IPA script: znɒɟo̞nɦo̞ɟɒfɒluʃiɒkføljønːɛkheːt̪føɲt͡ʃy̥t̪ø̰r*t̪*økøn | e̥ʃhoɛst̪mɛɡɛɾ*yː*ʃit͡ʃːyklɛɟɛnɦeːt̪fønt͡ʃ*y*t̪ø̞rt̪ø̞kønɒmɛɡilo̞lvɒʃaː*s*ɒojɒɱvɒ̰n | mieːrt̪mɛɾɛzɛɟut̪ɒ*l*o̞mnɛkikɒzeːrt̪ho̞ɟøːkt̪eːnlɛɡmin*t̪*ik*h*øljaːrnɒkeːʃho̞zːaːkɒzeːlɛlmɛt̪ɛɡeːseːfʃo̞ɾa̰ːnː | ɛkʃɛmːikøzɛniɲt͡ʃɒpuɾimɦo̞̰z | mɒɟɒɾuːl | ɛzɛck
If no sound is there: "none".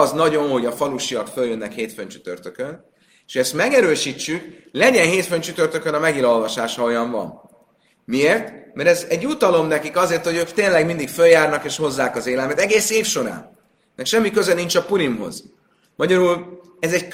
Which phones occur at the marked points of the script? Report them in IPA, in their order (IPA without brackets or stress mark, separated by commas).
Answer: t̪, øː, y, ʃ, l, d̪, f